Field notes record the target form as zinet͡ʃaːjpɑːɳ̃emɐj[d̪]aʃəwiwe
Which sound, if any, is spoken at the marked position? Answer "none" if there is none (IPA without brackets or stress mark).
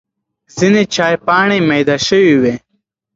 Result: d̪